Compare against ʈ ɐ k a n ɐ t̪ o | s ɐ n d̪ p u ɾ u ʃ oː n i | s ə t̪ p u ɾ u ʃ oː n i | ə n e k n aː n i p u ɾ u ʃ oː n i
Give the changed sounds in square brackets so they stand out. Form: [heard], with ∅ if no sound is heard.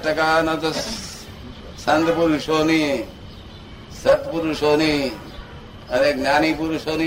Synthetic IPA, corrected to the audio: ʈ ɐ k a n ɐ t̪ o | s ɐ n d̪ p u ɾ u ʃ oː n i | s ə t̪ p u ɾ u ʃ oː n i | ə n e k n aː n i p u ɾ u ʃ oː n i